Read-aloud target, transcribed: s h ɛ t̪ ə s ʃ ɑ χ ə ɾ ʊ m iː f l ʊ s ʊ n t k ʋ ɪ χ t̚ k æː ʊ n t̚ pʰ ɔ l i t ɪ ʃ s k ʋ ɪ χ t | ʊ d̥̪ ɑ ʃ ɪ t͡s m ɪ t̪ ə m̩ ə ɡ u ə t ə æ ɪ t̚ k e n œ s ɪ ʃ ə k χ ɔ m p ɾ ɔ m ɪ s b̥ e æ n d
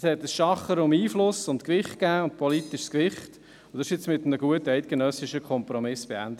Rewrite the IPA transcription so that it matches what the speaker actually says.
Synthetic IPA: s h ɛ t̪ ə s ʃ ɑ χ ə ɾ ʊ m iː f l ʊ s ʊ n t k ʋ ɪ χ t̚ k æː ʊ n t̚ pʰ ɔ l i t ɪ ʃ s k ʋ ɪ χ t | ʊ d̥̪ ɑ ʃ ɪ t͡s m ɪ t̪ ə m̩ ə ɡ u ə t ə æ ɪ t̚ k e n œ s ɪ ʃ ə k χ ɔ m p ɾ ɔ m ɪ s b̥ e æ n d